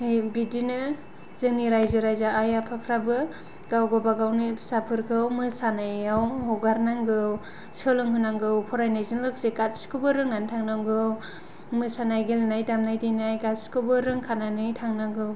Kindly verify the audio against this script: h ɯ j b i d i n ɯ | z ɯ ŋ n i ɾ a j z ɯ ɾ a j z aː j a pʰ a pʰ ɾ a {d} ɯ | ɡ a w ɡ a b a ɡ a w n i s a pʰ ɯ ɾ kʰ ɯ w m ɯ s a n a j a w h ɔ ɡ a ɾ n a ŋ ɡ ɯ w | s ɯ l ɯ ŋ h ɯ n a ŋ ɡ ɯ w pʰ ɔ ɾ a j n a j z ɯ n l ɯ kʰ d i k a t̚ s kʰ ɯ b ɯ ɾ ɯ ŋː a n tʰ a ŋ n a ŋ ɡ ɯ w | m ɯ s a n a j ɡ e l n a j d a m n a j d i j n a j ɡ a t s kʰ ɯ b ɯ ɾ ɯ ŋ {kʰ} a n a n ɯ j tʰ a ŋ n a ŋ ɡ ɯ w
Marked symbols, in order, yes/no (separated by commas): no, yes